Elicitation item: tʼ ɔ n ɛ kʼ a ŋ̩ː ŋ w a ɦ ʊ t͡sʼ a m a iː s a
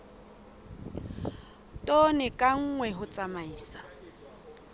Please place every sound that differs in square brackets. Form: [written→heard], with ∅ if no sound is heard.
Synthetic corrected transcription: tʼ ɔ n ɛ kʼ a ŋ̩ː ŋ w [a→ɛ] ɦ ʊ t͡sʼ a m a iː s a